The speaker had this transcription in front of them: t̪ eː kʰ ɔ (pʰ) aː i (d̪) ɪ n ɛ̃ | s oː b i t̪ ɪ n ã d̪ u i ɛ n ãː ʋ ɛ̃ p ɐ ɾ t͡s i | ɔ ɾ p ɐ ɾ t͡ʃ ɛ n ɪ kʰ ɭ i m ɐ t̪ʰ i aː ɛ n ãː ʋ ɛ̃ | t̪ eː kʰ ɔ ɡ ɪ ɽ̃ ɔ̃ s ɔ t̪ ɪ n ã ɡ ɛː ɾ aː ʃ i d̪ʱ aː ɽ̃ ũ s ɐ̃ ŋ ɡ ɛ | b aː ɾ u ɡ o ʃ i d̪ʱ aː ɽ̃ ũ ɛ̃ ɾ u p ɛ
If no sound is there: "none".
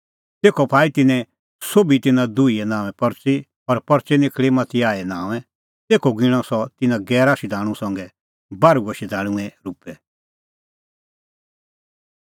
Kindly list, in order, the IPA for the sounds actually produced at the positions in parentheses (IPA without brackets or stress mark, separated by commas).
pʰ, t̪